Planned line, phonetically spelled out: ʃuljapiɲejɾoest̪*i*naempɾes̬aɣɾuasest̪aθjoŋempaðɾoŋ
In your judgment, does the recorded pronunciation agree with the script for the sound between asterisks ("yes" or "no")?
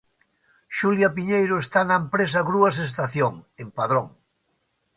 no